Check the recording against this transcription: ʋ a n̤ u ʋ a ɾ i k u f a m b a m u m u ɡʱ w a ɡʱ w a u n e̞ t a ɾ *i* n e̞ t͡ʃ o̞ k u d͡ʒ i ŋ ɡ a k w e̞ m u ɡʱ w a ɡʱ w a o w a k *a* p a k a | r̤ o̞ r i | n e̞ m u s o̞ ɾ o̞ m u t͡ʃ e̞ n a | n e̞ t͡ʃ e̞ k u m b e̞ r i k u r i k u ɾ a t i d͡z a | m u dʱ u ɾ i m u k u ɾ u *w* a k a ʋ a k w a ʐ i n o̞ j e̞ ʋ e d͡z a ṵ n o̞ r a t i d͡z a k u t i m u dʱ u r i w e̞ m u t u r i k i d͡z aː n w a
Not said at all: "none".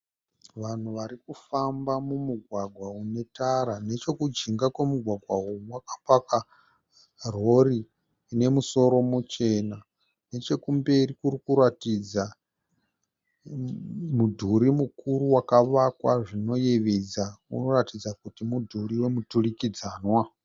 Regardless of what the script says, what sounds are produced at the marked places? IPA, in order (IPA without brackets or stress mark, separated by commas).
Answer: a, a, w